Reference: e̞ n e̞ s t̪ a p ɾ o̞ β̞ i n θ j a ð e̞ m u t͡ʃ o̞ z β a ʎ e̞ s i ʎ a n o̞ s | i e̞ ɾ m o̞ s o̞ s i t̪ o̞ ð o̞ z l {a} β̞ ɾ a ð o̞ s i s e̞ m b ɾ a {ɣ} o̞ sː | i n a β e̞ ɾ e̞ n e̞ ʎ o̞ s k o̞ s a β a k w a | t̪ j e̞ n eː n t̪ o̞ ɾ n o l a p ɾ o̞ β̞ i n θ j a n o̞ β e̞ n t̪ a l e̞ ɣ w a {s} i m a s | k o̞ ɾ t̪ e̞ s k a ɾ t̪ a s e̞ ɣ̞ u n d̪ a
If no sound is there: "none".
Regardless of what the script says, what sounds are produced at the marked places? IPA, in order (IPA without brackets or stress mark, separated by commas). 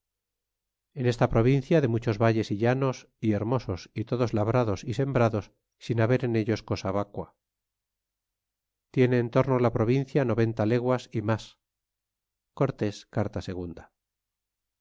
a, ð, s